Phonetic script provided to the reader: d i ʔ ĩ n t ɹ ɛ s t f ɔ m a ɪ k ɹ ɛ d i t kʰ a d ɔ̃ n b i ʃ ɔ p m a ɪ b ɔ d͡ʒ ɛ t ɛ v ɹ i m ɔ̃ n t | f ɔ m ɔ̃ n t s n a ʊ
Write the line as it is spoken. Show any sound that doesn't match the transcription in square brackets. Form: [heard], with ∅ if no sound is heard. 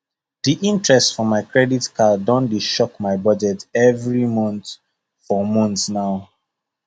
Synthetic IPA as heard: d i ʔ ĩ n t ɹ ɛ s t f ɔ m a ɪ k ɹ ɛ d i t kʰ a d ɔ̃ n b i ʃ ɔ [k] m a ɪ b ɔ d͡ʒ ɛ t ɛ v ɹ i m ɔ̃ n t | f ɔ m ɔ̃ n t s n a ʊ